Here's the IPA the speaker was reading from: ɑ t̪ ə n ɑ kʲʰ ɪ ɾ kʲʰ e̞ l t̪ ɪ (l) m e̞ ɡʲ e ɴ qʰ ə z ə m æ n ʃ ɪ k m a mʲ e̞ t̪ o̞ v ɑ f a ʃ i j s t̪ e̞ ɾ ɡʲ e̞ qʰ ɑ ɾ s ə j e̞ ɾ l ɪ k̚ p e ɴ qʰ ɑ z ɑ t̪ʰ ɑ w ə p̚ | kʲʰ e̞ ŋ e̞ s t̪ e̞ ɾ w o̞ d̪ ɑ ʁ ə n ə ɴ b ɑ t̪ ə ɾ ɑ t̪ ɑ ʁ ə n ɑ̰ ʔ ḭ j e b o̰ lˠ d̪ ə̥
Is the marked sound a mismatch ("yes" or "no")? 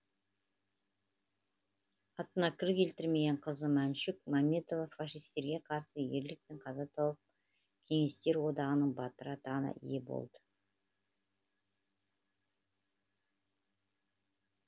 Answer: yes